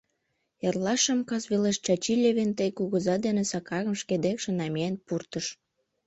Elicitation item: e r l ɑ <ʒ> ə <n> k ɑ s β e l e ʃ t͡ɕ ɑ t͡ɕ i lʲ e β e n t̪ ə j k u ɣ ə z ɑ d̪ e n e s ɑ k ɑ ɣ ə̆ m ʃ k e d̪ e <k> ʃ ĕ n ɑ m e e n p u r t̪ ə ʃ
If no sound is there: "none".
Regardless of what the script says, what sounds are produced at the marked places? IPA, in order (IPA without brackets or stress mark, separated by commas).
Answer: ʃ, m, k